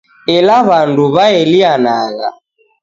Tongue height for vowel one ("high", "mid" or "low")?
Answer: mid